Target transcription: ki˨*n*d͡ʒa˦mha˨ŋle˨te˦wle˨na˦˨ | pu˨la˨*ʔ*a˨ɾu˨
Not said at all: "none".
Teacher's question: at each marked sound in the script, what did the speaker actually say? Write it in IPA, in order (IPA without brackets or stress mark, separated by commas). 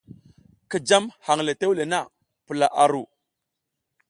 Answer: none, ʔ